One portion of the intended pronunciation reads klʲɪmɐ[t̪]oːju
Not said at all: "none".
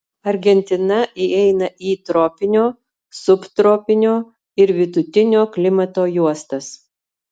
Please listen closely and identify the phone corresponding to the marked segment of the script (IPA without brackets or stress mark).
t̪